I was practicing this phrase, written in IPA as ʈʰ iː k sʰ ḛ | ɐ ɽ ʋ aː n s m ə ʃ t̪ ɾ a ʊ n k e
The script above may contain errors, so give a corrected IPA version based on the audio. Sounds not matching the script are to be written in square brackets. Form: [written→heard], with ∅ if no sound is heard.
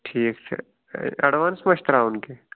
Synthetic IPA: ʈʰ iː k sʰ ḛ | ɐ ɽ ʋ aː n s m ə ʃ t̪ ɾ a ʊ n k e

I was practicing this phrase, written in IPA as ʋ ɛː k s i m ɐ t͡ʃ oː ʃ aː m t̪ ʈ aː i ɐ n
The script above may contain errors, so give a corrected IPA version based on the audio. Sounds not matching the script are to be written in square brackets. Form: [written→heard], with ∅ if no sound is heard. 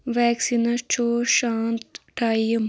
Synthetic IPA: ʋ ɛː k s i [m→n] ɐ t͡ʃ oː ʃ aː [m→n] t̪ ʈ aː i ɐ [n→m]

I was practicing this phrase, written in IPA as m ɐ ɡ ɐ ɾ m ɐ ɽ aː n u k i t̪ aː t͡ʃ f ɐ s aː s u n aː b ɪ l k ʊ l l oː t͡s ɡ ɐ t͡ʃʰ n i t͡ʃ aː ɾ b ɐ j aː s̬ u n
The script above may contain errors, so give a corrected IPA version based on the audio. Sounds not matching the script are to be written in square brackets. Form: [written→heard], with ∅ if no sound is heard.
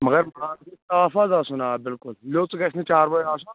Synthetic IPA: m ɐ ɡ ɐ ɾ m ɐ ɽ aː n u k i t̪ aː [t͡ʃ→∅] f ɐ [s→z] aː s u n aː b ɪ l k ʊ l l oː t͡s ɡ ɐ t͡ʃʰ n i t͡ʃ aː ɾ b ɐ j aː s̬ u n

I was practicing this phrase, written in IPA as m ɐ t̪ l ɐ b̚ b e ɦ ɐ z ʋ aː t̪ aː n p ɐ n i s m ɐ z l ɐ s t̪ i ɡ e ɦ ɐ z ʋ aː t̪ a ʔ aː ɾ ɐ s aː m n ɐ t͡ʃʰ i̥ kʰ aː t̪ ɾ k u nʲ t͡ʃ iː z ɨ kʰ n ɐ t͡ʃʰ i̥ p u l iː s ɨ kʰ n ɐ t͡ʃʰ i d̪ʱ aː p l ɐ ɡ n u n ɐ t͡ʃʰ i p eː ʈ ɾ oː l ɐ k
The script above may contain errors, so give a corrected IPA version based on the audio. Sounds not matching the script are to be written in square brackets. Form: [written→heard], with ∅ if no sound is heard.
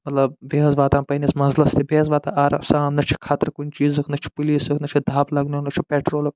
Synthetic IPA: m ɐ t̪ l ɐ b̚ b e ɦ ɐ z ʋ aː t̪ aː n p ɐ n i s m ɐ z l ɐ s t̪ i [ɡ→b] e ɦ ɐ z ʋ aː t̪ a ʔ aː ɾ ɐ s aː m n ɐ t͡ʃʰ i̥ kʰ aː t̪ ɾ k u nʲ t͡ʃ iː z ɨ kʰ n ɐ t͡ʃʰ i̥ p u l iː s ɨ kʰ n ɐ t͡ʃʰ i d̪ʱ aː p l ɐ ɡ n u n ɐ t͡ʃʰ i p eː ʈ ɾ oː l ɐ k

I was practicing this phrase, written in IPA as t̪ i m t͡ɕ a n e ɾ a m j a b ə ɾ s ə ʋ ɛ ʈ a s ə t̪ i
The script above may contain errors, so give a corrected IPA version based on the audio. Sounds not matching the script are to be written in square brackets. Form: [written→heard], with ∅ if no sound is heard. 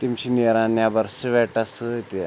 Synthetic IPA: t̪ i m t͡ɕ [a→i] n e ɾ a [m→n] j a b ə ɾ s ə ʋ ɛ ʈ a s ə t̪ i

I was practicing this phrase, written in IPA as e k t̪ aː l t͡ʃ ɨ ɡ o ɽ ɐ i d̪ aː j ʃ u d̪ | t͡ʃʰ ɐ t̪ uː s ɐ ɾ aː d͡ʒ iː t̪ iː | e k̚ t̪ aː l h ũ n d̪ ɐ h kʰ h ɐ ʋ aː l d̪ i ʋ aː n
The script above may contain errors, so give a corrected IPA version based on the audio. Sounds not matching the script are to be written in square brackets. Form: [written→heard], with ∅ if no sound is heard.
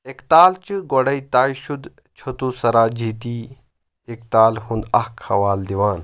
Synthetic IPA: e k t̪ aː l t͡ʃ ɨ ɡ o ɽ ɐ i [d̪→t̪] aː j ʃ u d̪ | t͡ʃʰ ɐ t̪ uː s ɐ ɾ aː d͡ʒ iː t̪ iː | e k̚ t̪ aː l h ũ n d̪ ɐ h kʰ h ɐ ʋ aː l d̪ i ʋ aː n

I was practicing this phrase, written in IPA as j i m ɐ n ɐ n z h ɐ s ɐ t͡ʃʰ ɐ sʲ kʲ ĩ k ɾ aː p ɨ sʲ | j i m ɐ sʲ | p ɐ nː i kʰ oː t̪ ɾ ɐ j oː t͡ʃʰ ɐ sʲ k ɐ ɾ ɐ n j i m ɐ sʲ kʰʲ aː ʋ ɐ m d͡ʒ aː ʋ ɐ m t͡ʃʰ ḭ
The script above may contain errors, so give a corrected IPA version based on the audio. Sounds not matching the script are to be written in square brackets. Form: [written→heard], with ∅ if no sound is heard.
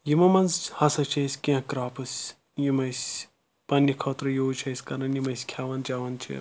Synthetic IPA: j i m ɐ [n→m] ɐ n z h ɐ s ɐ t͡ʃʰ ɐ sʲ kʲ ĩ k ɾ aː p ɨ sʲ | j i m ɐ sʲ | p ɐ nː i kʰ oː t̪ ɾ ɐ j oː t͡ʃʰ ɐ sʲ k ɐ ɾ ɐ n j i m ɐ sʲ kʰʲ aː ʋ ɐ [m→n] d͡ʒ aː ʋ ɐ [m→n] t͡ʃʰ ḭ

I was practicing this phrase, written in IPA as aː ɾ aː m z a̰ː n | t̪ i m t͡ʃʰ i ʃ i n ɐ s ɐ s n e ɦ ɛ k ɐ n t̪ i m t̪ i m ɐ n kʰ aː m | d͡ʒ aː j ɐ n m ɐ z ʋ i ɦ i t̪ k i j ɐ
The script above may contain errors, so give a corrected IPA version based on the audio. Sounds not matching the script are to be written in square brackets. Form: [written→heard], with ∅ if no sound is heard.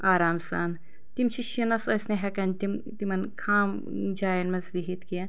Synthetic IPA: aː ɾ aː m [z→s] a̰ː n | t̪ i m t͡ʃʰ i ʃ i n ɐ s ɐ s n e ɦ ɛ k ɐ n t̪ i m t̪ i m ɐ n kʰ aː m | d͡ʒ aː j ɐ n m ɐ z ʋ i ɦ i t̪ k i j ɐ

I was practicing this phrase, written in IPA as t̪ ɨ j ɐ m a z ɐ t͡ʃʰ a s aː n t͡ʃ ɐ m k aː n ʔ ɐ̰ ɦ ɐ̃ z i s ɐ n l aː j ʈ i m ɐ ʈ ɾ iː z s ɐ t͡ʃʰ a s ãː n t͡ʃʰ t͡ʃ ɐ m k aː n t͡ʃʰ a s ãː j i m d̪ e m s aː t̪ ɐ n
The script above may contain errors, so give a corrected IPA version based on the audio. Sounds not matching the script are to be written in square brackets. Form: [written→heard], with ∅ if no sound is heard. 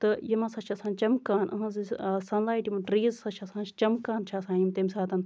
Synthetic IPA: t̪ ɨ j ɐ m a [z→s] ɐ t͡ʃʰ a s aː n t͡ʃ ɐ m k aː n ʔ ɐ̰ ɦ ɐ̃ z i s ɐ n l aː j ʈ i m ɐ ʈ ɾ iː z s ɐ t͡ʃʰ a s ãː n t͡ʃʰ t͡ʃ ɐ m k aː n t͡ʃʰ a s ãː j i m [d̪→t̪] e m s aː t̪ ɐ n

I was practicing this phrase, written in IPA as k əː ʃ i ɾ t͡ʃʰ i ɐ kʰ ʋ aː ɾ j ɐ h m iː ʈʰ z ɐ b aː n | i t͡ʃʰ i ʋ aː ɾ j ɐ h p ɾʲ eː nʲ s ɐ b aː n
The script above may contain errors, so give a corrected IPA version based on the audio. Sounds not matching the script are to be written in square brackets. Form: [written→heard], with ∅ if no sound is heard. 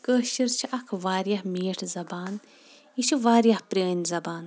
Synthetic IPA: k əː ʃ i ɾ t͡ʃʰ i ɐ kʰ ʋ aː ɾ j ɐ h m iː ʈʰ z ɐ b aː n | i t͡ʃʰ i ʋ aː ɾ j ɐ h p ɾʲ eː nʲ [s→z] ɐ b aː n

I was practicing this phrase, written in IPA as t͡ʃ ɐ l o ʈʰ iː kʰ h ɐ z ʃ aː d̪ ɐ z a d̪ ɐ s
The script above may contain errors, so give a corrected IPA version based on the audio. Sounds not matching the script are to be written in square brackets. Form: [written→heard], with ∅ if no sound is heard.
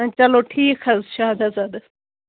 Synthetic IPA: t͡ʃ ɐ l o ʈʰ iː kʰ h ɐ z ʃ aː d̪ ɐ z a d̪ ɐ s

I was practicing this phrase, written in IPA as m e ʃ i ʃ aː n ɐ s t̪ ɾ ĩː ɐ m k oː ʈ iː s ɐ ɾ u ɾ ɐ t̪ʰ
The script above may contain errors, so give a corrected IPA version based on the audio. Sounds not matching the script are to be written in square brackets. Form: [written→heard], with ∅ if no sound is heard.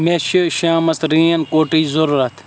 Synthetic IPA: m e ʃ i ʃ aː [n→m] ɐ s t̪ ɾ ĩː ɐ [m→n] k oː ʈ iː [s→z] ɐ ɾ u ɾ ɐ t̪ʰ

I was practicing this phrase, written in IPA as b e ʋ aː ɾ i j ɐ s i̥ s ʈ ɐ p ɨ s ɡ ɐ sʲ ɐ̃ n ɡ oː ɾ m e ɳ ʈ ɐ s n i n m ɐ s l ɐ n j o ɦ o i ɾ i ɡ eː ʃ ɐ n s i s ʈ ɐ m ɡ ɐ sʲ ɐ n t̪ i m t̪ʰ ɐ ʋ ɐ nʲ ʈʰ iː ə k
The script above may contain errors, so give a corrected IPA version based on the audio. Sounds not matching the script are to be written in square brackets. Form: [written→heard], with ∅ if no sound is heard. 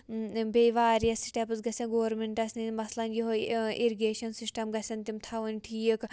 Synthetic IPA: b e ʋ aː ɾ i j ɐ s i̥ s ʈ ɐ p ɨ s ɡ ɐ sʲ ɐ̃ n ɡ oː ɾ m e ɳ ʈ ɐ s n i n m ɐ s l ɐ n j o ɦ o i ɾ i ɡ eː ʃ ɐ n s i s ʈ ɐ m ɡ ɐ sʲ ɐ n t̪ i m t̪ʰ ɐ ʋ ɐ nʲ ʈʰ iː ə k

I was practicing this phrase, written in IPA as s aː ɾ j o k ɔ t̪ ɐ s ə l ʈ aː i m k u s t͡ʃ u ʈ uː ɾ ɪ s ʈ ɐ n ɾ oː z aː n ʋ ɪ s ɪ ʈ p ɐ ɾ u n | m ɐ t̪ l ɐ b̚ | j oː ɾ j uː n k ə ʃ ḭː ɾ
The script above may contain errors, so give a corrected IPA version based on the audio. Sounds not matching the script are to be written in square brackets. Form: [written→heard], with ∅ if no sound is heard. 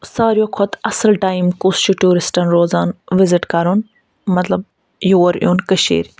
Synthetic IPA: s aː ɾ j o [k→kʰ] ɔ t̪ ɐ s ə l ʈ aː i m k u s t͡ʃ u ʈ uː ɾ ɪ s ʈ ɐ n ɾ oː z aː n ʋ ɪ [s→z] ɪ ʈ [p→k] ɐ ɾ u n | m ɐ t̪ l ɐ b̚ | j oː ɾ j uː n k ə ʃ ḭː ɾ

